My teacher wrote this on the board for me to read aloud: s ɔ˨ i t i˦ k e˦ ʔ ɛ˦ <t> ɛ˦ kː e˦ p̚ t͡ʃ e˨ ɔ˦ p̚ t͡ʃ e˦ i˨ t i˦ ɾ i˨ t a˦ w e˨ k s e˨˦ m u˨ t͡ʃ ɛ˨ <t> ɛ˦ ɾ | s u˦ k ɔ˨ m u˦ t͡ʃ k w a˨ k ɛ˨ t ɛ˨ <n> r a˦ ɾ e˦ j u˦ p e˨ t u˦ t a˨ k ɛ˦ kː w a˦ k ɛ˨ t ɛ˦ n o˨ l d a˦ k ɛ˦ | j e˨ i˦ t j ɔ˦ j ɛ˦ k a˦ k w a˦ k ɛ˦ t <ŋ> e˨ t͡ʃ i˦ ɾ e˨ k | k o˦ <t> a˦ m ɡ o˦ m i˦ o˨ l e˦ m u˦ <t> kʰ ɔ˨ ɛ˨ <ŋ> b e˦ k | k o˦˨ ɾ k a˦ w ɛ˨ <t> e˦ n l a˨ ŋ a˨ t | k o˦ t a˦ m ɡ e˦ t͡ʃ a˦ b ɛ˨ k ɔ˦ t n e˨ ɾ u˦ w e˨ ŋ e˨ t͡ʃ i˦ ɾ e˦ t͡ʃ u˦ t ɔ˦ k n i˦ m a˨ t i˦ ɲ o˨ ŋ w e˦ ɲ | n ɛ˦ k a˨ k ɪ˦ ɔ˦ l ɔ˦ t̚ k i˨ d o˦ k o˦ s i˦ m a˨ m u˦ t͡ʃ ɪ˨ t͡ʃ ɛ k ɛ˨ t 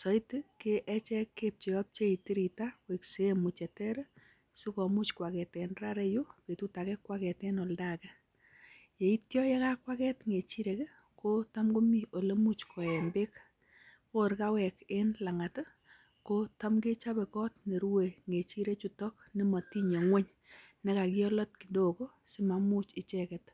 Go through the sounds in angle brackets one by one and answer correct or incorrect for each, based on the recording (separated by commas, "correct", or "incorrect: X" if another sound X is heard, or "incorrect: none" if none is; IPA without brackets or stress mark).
incorrect: t͡ʃ, correct, correct, correct, correct, incorrect: t͡ʃ, incorrect: m, incorrect: k